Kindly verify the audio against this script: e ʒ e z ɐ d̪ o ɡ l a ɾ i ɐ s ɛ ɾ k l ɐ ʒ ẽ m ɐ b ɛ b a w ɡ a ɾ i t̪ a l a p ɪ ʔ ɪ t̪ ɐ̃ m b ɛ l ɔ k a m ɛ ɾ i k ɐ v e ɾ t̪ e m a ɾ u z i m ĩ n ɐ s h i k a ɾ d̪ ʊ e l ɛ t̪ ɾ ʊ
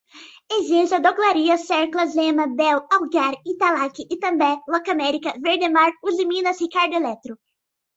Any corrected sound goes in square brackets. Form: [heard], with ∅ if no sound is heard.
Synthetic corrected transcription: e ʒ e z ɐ d̪ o ɡ l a ɾ i ɐ s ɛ ɾ k l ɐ [z] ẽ m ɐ b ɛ [w] a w ɡ a ɾ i t̪ a l a [k] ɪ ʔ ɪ t̪ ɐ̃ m b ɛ l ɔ k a m ɛ ɾ i k ɐ v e ɾ [d̪] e m a ɾ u z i m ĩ n ɐ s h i k a ɾ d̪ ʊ e l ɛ t̪ ɾ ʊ